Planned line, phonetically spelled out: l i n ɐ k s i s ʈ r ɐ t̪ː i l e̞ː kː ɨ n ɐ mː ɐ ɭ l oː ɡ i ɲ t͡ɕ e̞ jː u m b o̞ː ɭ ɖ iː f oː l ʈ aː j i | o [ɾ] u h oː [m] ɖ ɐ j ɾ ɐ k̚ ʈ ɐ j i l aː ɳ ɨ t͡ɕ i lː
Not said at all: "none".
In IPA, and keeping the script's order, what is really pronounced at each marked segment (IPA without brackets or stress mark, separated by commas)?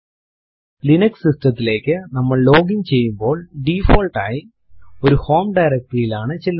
ɾ, m